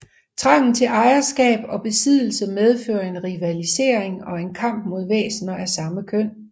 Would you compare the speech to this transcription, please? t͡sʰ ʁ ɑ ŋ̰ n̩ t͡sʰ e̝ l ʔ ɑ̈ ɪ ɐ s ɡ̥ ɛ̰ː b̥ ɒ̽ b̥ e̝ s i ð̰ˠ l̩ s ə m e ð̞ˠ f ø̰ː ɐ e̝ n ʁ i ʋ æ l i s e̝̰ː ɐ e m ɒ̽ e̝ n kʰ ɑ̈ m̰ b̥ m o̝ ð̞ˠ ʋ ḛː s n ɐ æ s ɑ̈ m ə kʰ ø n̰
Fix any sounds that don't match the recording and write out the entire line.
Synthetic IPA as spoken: t͡sʰ ʁ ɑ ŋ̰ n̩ t͡sʰ e̝ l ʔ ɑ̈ ɪ ɐ s ɡ̥ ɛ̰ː b̥ ɒ̽ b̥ e̝ s i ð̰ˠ l̩ s ə m e ð̞ˠ f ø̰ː ɐ e̝ n ʁ i ʋ æ l i s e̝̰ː ɐ e ŋ ɒ̽ e̝ n kʰ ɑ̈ m̰ b̥ m o̝ ð̞ˠ ʋ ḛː s n ɐ æ s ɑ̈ m ə kʰ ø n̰

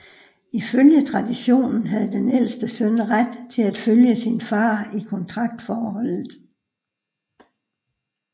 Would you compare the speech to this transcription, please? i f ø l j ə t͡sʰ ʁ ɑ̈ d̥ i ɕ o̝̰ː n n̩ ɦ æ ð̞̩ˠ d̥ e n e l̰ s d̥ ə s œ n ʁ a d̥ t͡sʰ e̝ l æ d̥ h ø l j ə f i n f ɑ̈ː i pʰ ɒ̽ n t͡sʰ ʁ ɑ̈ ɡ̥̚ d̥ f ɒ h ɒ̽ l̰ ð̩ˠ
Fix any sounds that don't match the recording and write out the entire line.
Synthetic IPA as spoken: i f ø l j ə t͡sʰ ʁ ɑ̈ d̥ i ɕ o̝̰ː n n̩ ɦ æ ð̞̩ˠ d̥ e n e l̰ s d̥ ə s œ n ʁ a d̥ t͡sʰ e̝ l æ d̥ f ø l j ə s i n f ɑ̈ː i kʰ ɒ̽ n t͡sʰ ʁ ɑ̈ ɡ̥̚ d̥ f ɒː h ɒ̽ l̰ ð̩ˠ

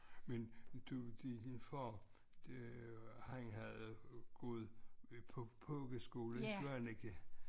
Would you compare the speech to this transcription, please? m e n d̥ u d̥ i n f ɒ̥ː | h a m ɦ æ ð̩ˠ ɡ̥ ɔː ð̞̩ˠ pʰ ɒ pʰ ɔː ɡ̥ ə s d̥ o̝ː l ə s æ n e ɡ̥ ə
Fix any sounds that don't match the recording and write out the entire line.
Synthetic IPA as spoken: m e n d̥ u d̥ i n f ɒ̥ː | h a ŋ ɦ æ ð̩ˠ ɡ̥ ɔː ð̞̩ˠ pʰ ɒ pʰ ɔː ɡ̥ ə s ɡ̥ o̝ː l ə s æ n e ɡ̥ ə

